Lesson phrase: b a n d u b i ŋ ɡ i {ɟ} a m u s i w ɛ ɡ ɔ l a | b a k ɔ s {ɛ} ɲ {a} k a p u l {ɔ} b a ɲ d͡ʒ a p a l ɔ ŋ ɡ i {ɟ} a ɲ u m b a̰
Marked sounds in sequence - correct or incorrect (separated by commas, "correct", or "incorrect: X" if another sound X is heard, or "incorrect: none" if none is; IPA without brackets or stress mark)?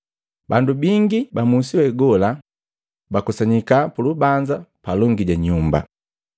incorrect: b, incorrect: a, incorrect: i, incorrect: u, correct